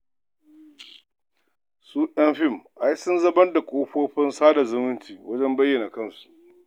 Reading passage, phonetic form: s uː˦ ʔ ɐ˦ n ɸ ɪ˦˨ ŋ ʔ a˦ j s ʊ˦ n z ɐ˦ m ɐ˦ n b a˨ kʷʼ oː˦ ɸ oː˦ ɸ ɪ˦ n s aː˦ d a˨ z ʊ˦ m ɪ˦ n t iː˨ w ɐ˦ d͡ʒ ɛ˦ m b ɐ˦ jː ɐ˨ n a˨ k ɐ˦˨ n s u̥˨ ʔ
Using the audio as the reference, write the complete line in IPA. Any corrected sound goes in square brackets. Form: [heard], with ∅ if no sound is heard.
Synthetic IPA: s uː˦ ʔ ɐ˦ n ɸ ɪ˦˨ [m] ʔ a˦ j s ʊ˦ n z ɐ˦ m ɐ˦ n [d] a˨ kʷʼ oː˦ ɸ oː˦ ɸ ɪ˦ n s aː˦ d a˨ z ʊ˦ m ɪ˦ n t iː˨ w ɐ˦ d͡ʒ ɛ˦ m b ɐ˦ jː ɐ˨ n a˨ k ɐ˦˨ n s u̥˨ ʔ